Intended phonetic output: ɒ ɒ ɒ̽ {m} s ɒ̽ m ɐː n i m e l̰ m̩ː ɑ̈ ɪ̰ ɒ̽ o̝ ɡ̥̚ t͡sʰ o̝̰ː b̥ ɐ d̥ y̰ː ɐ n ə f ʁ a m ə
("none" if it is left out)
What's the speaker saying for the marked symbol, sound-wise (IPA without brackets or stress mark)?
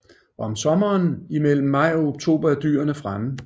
m